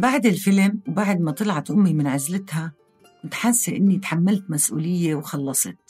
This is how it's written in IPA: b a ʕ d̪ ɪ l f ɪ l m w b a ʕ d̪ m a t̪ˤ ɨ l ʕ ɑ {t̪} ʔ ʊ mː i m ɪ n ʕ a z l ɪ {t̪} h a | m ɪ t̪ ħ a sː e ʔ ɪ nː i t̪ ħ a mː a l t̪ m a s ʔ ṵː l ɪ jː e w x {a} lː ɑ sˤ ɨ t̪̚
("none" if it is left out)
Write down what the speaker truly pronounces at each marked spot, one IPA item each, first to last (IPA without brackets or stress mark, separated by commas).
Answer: t̪, t̪, ɑ